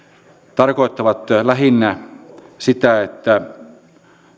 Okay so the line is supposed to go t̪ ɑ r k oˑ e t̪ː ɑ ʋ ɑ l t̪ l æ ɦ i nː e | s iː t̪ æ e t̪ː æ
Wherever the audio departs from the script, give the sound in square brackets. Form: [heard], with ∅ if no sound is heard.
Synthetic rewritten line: t̪ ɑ r k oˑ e t̪ː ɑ ʋ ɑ [∅] t̪ l æ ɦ i nː [æ] | s [i] t̪ æ e t̪ː æ